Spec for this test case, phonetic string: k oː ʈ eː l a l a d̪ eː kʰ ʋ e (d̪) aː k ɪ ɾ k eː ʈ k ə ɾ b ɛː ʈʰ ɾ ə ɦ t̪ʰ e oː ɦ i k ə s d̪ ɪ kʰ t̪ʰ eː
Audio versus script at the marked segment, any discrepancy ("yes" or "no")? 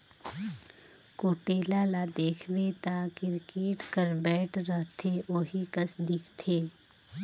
yes